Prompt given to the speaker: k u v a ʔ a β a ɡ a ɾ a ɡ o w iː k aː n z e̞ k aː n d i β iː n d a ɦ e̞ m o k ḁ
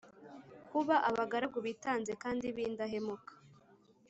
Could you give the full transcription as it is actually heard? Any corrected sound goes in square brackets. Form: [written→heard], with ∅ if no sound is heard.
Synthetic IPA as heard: k u [v→β] a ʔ a β a ɡ a ɾ a ɡ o [w→β] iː [k→t] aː n z e̞ k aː n d i β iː n d a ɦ e̞ m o k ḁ